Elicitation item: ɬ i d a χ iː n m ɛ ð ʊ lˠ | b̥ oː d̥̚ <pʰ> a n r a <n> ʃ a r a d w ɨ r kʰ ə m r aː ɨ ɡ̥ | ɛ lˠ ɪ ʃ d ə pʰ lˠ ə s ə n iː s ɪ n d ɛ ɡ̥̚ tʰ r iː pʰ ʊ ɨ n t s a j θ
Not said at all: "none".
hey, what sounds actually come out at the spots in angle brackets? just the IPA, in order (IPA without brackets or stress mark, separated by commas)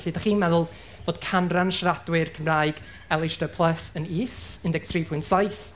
kʰ, n